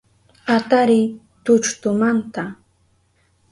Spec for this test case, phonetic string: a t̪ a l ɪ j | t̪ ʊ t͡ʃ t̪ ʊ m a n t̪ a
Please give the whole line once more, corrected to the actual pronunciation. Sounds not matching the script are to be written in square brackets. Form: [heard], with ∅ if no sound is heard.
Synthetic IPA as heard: a t̪ a [ɾ] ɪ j | t̪ ʊ t͡ʃ t̪ ʊ m a n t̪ a